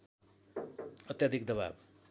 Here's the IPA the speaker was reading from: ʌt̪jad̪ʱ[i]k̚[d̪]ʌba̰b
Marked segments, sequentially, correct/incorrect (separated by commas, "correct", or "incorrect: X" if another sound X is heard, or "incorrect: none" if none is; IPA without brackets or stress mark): correct, correct